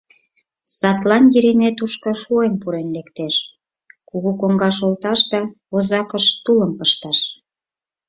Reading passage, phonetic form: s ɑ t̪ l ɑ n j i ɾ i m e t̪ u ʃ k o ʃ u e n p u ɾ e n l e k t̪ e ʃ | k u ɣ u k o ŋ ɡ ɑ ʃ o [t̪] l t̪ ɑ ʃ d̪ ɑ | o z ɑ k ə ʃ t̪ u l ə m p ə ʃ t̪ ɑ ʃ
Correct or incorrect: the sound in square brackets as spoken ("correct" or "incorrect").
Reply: incorrect